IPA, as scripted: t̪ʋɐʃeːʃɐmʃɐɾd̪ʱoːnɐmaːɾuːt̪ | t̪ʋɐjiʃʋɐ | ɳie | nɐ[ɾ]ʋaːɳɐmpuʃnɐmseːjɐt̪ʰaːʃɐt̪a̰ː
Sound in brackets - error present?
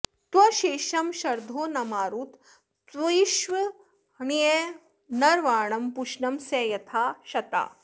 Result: no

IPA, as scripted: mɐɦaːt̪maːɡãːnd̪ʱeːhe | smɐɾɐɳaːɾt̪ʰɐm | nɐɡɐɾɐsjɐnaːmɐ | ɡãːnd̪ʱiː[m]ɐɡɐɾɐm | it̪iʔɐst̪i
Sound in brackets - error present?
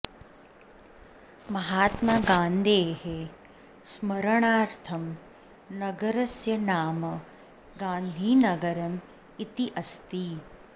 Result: yes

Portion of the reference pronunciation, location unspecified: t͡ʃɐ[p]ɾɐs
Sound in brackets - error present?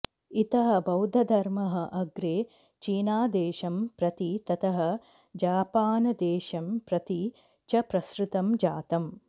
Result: no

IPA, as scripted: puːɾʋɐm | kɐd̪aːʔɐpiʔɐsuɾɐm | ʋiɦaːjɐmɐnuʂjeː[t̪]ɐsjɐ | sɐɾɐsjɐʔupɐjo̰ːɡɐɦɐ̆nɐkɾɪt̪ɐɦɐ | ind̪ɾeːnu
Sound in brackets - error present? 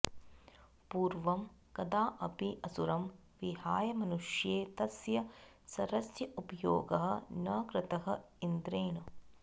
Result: no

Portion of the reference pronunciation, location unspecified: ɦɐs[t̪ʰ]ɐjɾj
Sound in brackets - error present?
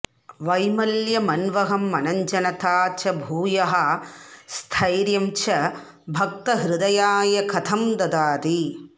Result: no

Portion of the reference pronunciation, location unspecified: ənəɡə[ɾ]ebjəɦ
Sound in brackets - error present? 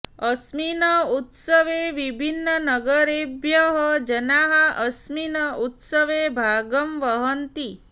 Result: no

